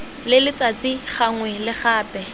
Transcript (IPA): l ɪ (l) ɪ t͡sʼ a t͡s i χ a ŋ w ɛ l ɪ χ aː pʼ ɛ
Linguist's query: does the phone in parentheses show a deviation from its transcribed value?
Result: no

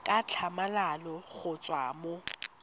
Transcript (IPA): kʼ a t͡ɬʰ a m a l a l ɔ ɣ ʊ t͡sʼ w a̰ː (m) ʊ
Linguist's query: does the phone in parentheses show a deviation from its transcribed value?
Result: no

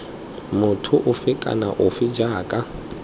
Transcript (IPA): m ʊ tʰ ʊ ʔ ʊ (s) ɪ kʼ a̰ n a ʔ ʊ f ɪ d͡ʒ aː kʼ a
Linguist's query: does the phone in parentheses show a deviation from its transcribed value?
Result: yes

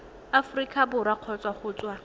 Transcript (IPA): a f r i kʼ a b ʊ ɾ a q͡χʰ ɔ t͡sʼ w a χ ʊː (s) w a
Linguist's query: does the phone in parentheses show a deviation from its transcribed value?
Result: yes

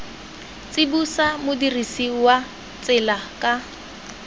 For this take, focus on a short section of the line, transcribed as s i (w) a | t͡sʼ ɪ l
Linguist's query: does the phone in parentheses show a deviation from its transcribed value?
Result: no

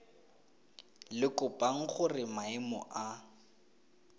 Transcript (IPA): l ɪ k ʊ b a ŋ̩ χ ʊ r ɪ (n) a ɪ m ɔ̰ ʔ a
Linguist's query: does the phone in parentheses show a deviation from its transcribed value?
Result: yes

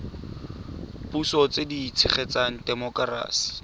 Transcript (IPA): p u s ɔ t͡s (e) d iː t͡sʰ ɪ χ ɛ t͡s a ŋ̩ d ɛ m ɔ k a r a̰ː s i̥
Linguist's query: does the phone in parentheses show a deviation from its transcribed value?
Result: no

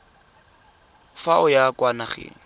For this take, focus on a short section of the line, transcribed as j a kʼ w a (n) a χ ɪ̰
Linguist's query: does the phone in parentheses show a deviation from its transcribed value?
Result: no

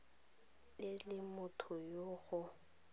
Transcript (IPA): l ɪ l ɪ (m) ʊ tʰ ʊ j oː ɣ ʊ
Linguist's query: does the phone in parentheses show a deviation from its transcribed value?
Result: no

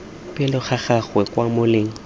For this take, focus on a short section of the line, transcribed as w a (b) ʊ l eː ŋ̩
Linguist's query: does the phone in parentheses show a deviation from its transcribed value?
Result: yes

